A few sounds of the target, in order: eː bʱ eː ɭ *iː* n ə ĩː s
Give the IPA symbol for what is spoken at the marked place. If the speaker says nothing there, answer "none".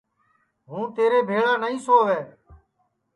aː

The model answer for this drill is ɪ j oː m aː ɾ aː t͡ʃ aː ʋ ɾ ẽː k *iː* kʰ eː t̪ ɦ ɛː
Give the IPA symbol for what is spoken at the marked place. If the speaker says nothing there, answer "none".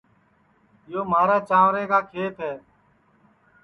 aː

